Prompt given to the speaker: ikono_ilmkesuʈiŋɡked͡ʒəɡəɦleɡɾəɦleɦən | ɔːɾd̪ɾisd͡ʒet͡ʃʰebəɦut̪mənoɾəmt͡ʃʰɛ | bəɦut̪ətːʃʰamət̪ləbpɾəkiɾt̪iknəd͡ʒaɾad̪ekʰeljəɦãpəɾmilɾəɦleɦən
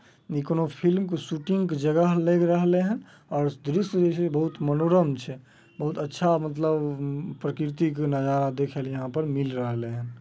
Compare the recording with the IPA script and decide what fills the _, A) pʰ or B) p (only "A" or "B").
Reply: A